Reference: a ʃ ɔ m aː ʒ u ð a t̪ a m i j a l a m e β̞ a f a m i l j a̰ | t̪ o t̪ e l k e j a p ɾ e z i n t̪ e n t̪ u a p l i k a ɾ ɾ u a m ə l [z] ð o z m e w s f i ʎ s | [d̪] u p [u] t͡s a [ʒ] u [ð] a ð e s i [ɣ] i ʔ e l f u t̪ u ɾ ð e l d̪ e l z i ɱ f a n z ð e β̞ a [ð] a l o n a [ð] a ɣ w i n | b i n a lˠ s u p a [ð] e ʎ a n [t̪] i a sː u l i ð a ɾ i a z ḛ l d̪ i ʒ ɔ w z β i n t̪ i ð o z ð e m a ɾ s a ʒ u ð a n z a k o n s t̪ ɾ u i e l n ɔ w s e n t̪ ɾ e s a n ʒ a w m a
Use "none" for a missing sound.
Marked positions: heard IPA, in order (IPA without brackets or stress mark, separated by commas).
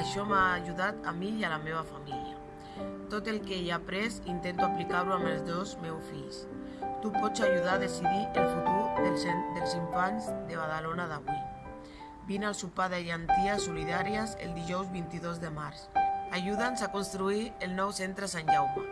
z, t̪, ɔ, ʒ, ð, ð, ð, ð, ð, t̪